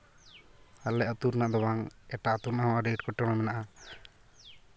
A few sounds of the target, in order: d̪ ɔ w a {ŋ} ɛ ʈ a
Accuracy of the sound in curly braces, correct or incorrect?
correct